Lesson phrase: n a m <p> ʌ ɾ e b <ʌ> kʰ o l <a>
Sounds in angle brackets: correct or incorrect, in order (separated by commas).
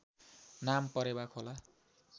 correct, incorrect, correct